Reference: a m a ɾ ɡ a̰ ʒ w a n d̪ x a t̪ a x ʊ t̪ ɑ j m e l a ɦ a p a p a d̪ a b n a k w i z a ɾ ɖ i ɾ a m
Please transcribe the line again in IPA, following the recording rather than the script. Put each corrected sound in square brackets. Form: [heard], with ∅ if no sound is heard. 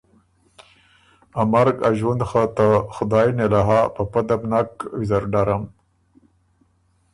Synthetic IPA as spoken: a m a ɾ ɡ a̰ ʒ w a n d̪ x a t̪ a x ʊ [d̪] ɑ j [n] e l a ɦ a p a p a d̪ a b n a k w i z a ɾ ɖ [a] ɾ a m

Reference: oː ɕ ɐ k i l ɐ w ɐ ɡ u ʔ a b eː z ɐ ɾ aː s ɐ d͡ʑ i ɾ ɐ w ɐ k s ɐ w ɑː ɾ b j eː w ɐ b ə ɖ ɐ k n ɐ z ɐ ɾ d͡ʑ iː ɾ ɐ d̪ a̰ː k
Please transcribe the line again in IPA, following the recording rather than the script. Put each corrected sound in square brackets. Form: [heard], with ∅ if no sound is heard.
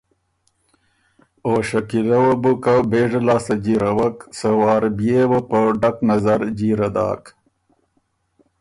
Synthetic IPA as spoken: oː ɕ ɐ k i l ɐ w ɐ [b] u [k] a b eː [ʐ] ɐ [l] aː s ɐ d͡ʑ i ɾ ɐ w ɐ k s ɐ w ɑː ɾ b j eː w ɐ [p] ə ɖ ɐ k n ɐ z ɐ ɾ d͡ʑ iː ɾ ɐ d̪ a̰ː k

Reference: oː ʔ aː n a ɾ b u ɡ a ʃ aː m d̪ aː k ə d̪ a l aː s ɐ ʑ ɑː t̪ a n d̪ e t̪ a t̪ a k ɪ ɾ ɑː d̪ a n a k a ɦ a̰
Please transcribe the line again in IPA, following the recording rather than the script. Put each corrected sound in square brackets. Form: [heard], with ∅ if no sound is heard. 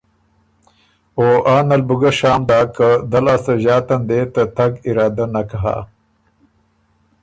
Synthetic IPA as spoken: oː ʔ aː n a [l] b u ɡ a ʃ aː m d̪ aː k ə d̪ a l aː s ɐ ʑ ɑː t̪ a n d̪ e t̪ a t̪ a [ɡ] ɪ ɾ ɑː d̪ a n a k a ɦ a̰

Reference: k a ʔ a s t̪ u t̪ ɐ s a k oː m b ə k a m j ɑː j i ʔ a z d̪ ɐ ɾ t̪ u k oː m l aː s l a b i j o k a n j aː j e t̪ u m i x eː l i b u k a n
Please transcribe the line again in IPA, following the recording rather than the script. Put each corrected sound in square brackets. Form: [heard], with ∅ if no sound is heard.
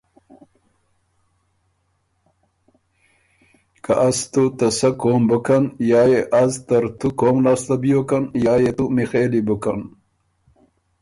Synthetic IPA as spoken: k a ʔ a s t̪ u t̪ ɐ s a k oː m b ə k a [n] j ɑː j [e] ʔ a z [t̪] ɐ ɾ t̪ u k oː m l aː s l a b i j o k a n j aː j e t̪ u m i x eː l i b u k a n

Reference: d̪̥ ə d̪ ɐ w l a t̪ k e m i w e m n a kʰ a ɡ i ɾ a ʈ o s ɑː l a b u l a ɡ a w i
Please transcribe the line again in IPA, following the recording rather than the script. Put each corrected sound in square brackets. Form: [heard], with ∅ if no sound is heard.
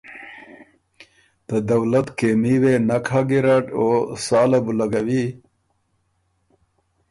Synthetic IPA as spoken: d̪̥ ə d̪ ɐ w l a t̪ k e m i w e [∅] n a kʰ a ɡ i ɾ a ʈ o s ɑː l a b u l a ɡ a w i

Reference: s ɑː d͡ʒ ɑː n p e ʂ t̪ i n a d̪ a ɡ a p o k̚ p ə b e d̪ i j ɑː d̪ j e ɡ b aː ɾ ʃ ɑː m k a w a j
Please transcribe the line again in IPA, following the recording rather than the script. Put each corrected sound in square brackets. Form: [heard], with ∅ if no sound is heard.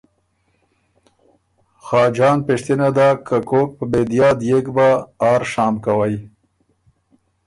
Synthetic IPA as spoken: [x] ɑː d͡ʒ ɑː n p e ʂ t̪ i n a d̪ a [k] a [k] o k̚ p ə b e d̪ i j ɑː d̪ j e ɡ b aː ɾ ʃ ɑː m k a w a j

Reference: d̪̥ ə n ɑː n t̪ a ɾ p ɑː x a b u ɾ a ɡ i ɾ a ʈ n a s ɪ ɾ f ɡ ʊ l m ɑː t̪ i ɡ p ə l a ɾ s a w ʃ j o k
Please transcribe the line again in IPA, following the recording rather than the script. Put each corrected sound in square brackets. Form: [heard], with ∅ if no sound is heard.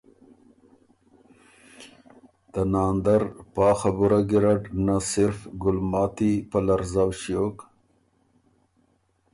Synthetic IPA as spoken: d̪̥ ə n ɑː n [d̪] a ɾ p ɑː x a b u ɾ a ɡ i ɾ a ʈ n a s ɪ ɾ f ɡ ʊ l m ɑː t̪ i [∅] p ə l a ɾ [z] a w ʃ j o k

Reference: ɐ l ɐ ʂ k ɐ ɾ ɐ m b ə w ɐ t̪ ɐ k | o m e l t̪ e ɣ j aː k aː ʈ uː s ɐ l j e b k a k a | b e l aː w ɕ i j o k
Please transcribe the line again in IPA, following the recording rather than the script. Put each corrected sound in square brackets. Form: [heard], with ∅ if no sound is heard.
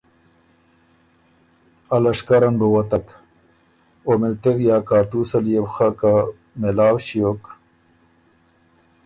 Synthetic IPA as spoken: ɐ l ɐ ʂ k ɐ ɾ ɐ [n] b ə w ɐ t̪ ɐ k | o m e l t̪ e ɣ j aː k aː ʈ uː s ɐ l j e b [x] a k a | [m] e l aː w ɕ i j o k

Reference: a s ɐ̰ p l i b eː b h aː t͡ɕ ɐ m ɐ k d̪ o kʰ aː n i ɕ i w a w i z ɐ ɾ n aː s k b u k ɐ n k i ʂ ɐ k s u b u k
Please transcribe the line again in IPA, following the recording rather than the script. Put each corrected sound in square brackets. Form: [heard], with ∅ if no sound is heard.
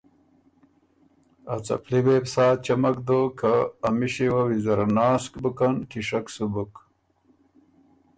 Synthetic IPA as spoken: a [t͡s] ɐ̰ p l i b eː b [s] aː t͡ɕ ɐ m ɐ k d̪ o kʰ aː [m] i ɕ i w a w i z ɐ ɾ n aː s k b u k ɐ n k i ʂ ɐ k s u b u k

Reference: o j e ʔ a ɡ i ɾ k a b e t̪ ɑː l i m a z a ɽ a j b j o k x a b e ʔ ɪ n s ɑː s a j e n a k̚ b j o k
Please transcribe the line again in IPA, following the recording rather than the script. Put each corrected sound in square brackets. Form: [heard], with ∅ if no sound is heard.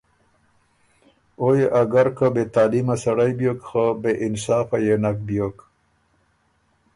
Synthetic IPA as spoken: o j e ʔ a ɡ [a] ɾ k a b e t̪ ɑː l i m a [s] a ɽ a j b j o k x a b e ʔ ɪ n s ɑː [f] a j e n a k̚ b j o k

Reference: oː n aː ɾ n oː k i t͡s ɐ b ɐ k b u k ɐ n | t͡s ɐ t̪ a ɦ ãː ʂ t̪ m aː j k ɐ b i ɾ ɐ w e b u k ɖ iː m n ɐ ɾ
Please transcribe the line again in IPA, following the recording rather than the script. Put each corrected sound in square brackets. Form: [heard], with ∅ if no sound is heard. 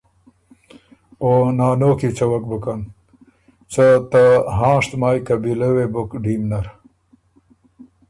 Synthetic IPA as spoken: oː n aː [∅] n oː k i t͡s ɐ [w] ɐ k b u k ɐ n | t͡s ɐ t̪ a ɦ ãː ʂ t̪ m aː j k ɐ b i [l] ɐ w e b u k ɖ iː m n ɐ ɾ

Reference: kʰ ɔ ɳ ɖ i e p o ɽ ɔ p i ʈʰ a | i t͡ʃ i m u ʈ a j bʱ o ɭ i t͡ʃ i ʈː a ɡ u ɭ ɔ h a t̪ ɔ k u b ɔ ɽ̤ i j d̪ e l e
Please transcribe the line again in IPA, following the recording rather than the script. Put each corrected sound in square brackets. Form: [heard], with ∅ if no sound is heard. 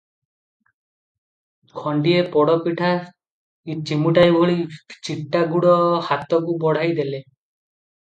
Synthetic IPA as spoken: kʰ ɔ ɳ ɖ i e p [ɔ] ɽ ɔ p i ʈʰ a | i t͡ʃ i m u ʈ a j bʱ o ɭ i t͡ʃ i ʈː a ɡ u [ɽ] ɔ h a t̪ ɔ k u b ɔ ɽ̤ [a] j d̪ e l e

